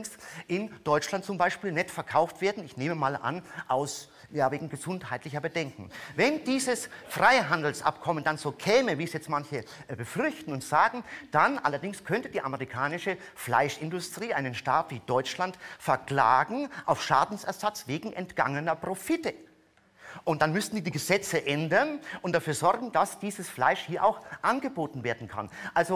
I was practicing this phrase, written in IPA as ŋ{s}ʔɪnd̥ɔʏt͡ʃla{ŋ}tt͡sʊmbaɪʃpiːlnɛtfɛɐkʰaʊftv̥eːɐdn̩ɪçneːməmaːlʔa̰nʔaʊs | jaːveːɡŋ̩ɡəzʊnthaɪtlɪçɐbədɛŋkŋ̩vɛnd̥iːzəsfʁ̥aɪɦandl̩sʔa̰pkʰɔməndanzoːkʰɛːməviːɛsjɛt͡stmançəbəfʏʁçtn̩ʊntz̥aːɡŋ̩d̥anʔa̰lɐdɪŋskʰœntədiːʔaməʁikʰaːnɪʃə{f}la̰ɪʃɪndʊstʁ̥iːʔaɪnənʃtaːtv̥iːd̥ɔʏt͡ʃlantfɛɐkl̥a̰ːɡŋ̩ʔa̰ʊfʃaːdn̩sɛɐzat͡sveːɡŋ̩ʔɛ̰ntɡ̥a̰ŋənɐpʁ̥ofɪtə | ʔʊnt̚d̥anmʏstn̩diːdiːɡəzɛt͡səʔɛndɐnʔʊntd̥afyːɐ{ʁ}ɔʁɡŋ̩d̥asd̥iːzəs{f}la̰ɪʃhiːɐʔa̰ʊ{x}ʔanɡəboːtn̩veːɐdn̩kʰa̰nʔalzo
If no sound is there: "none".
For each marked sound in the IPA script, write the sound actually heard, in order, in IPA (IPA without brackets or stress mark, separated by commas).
s, n, f, z, f, x